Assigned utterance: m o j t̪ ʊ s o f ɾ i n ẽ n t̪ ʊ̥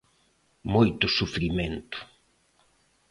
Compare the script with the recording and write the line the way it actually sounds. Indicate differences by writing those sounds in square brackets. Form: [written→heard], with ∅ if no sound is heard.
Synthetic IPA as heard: m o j t̪ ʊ s [o→u] f ɾ i [n→m] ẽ n t̪ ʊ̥